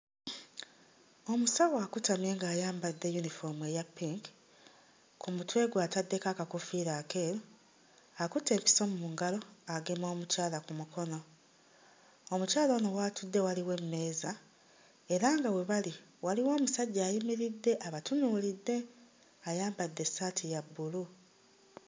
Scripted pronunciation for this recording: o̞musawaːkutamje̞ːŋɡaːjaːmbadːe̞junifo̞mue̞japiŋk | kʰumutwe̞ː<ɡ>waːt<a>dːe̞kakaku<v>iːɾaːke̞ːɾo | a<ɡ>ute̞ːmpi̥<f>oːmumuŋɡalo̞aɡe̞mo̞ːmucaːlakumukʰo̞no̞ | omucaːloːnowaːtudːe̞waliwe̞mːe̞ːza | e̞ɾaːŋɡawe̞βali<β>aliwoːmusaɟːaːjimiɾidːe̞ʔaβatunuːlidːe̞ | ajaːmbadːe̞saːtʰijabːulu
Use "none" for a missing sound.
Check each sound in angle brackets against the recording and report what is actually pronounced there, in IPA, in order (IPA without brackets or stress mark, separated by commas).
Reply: ɡ, a, f, k, s, w